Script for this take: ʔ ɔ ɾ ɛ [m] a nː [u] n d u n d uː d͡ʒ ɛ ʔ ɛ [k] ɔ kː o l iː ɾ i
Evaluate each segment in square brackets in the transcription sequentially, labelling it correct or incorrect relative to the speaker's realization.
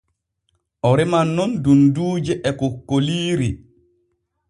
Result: correct, incorrect: ɔ, correct

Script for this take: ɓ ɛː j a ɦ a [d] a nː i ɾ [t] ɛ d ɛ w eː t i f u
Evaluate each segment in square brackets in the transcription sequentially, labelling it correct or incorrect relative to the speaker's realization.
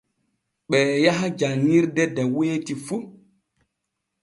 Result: incorrect: d͡ʒ, incorrect: d

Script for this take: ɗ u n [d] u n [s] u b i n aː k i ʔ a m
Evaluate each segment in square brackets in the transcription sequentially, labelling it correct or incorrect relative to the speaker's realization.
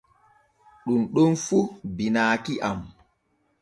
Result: incorrect: ɗ, incorrect: f

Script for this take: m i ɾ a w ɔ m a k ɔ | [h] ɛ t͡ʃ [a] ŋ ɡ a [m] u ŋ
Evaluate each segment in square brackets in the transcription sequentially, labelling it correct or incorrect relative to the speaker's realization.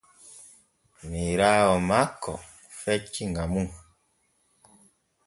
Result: incorrect: f, incorrect: i, correct

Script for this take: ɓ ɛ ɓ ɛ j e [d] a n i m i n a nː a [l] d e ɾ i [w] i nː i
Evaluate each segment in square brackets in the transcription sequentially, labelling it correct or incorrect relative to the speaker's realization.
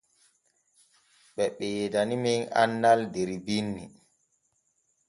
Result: correct, correct, incorrect: b

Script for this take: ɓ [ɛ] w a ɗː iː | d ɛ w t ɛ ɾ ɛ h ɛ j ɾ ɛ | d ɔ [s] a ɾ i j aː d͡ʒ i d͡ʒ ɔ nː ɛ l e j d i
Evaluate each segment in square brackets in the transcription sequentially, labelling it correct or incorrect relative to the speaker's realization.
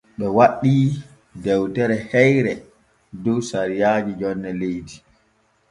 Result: correct, correct

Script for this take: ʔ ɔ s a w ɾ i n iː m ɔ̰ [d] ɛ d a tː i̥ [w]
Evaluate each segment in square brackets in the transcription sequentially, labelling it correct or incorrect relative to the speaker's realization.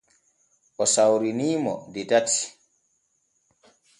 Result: correct, incorrect: none

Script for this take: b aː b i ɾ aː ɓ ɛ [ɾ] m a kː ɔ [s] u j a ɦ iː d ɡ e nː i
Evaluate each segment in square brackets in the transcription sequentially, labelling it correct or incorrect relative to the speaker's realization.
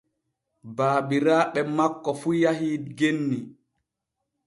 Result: incorrect: none, incorrect: f

